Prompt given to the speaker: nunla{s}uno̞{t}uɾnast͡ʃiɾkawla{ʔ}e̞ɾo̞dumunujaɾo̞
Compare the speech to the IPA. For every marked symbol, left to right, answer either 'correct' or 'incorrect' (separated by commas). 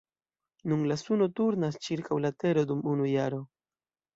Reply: correct, correct, incorrect